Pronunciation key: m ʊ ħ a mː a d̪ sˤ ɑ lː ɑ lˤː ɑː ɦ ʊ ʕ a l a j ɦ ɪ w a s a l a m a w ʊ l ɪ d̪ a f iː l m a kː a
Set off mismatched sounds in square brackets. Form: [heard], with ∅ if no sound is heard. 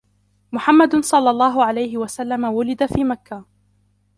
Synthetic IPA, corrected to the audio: m ʊ ħ a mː a d̪ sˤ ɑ lː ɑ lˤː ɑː ɦ ʊ ʕ a l a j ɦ ɪ w a s a [lː] a m a w ʊ l ɪ d̪ a f iː [∅] m a kː a